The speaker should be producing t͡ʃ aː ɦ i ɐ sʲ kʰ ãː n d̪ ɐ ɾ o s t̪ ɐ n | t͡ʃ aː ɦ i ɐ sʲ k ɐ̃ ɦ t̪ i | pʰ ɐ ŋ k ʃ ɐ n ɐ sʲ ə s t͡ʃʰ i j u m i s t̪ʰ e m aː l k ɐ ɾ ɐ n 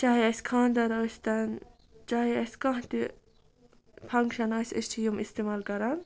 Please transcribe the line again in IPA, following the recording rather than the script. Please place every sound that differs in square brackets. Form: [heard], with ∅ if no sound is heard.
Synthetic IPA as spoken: t͡ʃ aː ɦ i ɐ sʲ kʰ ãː n d̪ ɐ ɾ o s t̪ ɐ n | t͡ʃ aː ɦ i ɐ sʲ k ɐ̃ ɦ t̪ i | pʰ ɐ ŋ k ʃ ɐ n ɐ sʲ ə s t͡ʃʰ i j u m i s [t̪] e m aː l k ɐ ɾ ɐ n

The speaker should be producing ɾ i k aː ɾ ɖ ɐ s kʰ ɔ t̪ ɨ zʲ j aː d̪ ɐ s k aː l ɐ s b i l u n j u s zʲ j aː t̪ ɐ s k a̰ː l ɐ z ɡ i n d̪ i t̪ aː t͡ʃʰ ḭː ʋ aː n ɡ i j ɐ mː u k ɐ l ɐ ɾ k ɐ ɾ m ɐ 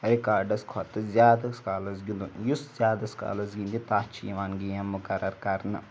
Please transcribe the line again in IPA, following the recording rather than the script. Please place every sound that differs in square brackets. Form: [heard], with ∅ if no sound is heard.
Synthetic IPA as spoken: ɾ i k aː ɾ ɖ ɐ s kʰ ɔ t̪ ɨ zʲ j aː d̪ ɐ s k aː l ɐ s [ɡ] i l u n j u s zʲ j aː [d̪] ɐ s k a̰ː l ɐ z ɡ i n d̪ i t̪ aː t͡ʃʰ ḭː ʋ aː n ɡ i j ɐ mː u k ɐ [ɾ] ɐ ɾ k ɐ ɾ [n] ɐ

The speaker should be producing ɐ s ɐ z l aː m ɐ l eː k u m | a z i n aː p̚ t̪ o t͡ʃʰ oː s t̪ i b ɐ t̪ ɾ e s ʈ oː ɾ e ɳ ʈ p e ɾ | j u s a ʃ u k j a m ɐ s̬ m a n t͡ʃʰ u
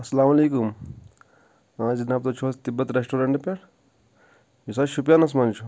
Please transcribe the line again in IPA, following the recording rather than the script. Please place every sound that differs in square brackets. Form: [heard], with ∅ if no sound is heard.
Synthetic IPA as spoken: ɐ s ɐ [∅] l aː m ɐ l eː k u m | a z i n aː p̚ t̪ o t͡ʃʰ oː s t̪ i b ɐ t̪ ɾ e s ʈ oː ɾ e ɳ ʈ p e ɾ | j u s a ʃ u [p] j a [n] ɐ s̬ m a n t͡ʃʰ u

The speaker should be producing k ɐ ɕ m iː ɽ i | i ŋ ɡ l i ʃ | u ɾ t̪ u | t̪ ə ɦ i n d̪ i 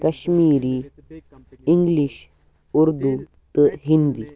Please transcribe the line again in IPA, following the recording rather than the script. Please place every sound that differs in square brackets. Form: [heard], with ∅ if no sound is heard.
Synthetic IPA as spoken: k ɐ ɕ m iː [ɾ] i | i ŋ ɡ l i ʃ | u ɾ [d̪] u | t̪ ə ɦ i n d̪ i

